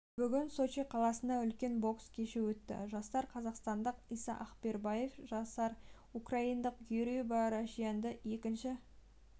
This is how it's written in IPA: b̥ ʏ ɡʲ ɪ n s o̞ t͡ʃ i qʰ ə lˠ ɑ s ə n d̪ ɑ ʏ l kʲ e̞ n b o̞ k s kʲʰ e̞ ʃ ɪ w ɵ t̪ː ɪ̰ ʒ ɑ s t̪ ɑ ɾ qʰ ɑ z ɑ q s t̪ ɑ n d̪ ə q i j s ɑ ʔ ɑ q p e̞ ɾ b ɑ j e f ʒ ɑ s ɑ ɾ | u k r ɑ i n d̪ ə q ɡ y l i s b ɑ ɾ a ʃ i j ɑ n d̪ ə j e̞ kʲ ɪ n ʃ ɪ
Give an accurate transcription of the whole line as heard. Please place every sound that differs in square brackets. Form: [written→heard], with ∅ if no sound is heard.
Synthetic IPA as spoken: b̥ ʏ ɡʲ ɪ n s o̞ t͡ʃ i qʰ [ə→ɑ] lˠ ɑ s ə n d̪ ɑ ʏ l kʲ e̞ n b o̞ k s kʲʰ e̞ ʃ ɪ w ɵ t̪ː ɪ̰ ʒ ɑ s t̪ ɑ ɾ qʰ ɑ z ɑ q s t̪ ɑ n d̪ ə q i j s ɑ ʔ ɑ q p e̞ ɾ b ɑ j e f ʒ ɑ s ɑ ɾ | u k r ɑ i n d̪ ə q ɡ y [l→ɾ] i [s→∅] b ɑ ɾ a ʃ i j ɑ n d̪ ə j e̞ kʲ ɪ n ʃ ɪ

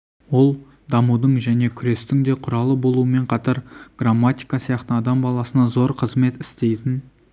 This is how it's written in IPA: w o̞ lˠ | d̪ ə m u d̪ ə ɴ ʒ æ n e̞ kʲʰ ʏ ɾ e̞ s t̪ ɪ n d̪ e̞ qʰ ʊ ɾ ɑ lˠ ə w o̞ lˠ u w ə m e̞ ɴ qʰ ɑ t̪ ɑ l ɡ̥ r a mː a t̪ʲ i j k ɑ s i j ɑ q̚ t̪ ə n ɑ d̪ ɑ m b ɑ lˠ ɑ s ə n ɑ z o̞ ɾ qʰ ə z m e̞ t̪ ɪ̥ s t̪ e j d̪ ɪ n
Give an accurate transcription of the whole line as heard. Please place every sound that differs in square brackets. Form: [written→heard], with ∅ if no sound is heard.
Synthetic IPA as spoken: w o̞ lˠ | d̪ [ə→ɑ] m u d̪ ə ɴ ʒ æ n e̞ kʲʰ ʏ ɾ e̞ s t̪ ɪ [n→ŋ] d̪ e̞ qʰ ʊ ɾ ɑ lˠ ə [w→b] o̞ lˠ u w ə m e̞ ɴ qʰ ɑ t̪ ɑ [l→ɾ] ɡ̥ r a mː a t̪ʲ i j k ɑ s i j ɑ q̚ t̪ ə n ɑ d̪ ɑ m b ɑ lˠ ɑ s ə n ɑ z o̞ ɾ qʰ ə z m e̞ t̪ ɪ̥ s t̪ e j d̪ ɪ n

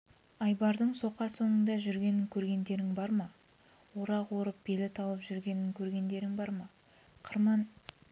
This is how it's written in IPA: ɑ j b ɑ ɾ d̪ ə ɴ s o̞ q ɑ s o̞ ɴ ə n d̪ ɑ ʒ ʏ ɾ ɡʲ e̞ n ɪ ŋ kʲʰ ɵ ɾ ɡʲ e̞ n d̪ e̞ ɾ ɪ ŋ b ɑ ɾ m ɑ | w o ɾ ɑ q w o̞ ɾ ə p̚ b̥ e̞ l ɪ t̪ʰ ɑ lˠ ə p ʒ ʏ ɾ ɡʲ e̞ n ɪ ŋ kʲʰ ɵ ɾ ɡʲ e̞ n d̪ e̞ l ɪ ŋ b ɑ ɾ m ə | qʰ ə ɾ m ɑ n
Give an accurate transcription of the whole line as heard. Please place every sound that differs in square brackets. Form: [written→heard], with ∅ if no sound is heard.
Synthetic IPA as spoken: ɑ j b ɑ ɾ d̪ ə ɴ s o̞ q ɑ s o̞ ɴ ə n d̪ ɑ ʒ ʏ ɾ ɡʲ e̞ n ɪ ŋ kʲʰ ɵ ɾ ɡʲ e̞ n d̪ e̞ ɾ ɪ ŋ b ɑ ɾ m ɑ | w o ɾ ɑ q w o̞ ɾ ə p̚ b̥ e̞ l ɪ t̪ʰ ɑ lˠ ə p ʒ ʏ ɾ ɡʲ e̞ n ɪ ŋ kʲʰ ɵ ɾ ɡʲ e̞ n d̪ e̞ [l→ɾ] ɪ ŋ b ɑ ɾ m [ə→ɑ] | qʰ ə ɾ m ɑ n

